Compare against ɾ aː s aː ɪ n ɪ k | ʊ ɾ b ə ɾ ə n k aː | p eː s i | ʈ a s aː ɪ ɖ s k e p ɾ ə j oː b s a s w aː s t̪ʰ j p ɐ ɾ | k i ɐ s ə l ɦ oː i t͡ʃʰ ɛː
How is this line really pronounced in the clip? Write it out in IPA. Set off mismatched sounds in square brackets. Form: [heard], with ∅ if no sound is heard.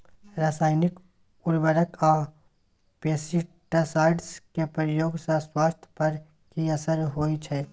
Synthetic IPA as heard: ɾ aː s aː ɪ n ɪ k | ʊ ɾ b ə ɾ ə [∅] k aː | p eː s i | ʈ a s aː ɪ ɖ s k e p ɾ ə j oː [ɡ] s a s w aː s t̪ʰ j p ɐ ɾ | k i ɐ s ə [ɾ] ɦ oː i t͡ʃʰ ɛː